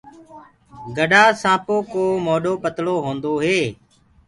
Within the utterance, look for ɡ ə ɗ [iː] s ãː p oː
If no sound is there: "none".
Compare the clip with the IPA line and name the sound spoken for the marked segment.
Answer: aː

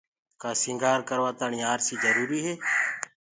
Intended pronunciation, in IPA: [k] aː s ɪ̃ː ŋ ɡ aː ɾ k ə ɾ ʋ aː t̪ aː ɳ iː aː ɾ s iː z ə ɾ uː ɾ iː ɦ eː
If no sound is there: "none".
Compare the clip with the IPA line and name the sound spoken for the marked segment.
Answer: k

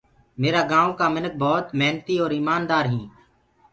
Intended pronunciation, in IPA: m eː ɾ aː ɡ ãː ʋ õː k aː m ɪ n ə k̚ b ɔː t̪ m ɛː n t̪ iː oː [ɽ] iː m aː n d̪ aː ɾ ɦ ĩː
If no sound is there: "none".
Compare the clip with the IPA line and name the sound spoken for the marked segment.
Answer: ɾ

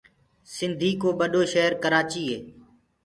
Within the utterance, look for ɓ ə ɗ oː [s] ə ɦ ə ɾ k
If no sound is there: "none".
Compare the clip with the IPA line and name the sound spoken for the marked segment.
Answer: ʃ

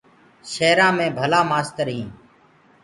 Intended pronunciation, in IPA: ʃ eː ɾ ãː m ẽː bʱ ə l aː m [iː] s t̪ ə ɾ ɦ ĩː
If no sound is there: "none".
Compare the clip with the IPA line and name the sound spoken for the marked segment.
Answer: aː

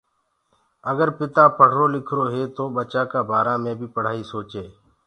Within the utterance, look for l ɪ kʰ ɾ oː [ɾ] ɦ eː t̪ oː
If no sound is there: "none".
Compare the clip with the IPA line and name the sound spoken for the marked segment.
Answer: none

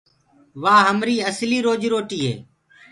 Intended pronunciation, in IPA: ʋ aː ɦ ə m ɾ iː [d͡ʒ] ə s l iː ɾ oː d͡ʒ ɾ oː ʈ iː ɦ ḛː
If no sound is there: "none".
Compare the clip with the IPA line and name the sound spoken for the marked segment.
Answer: none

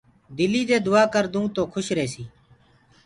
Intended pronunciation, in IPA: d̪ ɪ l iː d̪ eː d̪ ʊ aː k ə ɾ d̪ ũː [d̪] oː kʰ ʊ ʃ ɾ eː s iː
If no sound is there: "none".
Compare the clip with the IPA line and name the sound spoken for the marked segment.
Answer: t̪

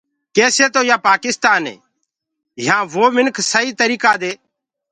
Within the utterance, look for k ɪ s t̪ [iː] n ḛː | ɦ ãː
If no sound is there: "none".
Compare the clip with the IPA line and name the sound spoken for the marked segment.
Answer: aː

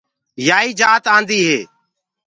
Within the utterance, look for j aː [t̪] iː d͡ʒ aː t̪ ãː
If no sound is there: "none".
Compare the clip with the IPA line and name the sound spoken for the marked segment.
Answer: none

